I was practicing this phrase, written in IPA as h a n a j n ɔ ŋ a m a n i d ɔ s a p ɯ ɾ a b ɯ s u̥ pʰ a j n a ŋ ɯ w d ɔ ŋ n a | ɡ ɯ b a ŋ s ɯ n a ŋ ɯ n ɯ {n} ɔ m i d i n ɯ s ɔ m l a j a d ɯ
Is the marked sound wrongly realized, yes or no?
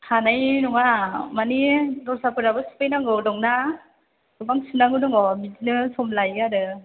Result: yes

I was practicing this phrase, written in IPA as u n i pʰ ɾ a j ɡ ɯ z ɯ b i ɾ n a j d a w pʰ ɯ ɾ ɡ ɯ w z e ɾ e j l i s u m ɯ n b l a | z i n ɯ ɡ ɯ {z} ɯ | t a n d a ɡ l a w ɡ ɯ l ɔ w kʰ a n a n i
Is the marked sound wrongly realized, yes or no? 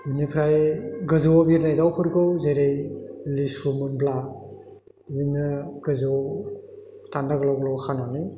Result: no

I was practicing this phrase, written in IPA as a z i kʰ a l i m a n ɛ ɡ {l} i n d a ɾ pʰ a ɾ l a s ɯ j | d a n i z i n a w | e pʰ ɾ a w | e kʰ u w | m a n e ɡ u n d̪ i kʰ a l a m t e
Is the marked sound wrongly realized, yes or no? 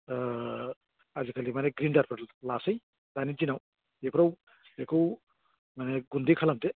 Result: yes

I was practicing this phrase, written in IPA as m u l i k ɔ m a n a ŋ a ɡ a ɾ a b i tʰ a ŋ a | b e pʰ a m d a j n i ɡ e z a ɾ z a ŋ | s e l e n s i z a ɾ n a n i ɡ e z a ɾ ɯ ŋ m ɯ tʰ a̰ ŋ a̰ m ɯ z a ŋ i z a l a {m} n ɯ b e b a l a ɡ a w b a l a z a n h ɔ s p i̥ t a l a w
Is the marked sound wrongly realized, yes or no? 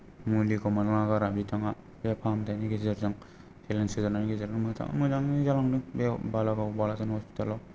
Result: yes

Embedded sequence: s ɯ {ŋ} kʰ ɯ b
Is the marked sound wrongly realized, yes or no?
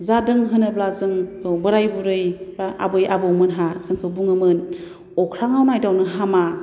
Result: no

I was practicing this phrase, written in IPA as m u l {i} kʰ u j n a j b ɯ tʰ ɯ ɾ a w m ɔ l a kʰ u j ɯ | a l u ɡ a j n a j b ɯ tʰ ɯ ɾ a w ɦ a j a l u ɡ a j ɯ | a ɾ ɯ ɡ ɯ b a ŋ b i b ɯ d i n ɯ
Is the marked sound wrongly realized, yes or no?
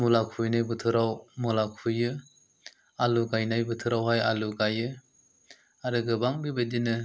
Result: yes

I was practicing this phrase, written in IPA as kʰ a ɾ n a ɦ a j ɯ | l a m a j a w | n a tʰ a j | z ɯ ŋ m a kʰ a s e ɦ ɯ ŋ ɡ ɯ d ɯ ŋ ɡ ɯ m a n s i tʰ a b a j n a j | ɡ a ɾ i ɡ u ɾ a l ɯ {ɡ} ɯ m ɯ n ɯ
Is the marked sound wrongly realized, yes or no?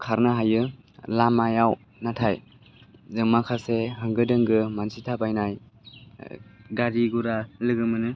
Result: no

